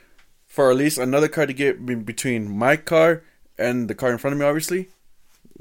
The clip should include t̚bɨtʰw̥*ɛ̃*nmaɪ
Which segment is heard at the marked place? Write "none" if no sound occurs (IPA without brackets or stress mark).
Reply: ĩ